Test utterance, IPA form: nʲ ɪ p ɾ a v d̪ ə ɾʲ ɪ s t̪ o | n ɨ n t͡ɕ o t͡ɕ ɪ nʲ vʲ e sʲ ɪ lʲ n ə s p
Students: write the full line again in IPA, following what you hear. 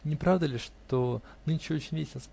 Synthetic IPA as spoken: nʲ ɪ p ɾ a v d̪ ə lʲ ɪ ʂ t̪ o | n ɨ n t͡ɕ o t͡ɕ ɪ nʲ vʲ e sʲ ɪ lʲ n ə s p